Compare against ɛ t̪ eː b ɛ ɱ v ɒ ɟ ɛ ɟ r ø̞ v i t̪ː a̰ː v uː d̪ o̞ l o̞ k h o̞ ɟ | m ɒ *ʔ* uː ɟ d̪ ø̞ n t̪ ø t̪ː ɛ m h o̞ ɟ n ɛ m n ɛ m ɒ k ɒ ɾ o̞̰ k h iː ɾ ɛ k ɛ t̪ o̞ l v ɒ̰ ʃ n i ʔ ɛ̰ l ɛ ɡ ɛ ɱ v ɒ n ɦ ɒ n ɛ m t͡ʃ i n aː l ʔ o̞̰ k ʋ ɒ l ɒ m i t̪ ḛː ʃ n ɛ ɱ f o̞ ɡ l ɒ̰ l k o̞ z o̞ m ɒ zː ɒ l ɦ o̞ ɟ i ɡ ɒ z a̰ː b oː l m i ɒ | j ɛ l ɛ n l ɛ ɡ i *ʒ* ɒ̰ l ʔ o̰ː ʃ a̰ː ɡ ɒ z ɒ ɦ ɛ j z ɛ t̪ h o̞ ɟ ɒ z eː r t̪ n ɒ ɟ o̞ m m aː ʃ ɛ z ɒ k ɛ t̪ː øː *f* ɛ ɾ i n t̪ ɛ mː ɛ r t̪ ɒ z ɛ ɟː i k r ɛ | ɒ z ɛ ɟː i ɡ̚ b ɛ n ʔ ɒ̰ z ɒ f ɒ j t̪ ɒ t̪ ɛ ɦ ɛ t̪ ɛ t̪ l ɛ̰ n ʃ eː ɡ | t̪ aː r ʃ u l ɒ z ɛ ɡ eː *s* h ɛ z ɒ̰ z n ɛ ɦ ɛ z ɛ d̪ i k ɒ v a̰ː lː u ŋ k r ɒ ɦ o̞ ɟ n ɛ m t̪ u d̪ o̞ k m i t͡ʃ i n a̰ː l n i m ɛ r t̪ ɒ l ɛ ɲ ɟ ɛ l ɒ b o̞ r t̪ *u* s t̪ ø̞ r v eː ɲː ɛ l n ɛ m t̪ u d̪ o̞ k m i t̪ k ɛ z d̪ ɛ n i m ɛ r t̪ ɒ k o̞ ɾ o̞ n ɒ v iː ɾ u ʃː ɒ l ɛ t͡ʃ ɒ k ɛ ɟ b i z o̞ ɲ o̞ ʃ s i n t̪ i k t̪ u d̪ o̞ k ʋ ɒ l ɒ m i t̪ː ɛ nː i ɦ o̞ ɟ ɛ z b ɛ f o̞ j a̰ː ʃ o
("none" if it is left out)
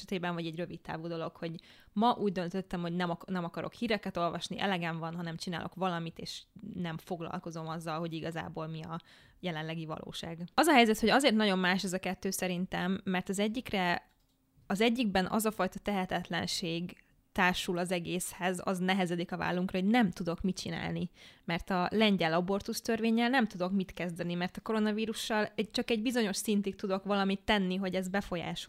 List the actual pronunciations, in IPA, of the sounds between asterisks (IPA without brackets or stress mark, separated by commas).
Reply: ʔ, v, s, s, u